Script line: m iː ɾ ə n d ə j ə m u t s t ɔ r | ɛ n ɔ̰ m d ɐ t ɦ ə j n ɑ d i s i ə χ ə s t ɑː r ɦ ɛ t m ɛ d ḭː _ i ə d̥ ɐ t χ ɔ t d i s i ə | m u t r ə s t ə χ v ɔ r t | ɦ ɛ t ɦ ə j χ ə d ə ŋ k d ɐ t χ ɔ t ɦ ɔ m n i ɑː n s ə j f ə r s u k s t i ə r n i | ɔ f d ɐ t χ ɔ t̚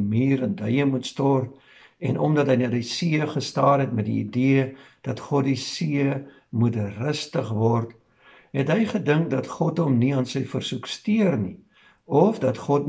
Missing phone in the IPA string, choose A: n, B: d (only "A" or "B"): B